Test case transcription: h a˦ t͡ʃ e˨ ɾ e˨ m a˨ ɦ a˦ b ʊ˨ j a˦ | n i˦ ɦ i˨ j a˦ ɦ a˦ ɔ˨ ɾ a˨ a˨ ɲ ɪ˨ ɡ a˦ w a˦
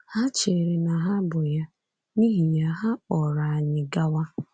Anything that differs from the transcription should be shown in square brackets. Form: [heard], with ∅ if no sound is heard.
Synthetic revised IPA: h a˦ t͡ʃ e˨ ɾ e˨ [n] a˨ ɦ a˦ b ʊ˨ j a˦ | n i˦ ɦ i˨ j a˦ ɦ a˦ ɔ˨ ɾ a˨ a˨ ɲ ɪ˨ ɡ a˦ w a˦